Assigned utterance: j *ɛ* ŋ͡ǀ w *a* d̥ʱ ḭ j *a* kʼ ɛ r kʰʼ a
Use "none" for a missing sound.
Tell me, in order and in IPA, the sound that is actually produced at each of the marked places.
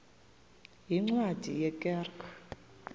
i, a, ɛ

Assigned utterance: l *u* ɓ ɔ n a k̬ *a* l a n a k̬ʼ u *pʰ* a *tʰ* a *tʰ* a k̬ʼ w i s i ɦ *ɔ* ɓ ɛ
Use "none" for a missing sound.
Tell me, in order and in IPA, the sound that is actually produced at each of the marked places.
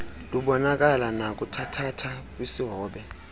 u, a, tʰ, tʰ, tʰ, ɔː

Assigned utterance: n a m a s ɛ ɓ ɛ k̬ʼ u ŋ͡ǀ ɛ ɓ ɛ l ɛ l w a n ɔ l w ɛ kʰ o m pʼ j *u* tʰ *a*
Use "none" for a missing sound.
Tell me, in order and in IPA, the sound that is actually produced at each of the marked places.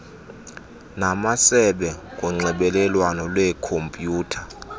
uː, a

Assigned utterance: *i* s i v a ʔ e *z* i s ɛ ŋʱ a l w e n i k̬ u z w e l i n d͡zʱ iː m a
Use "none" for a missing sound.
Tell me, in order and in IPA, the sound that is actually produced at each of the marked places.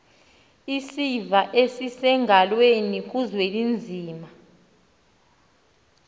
i, s

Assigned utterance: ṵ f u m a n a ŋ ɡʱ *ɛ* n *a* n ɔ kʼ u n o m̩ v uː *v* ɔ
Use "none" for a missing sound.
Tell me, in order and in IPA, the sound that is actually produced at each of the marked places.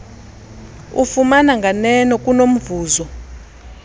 a, ɛ, z

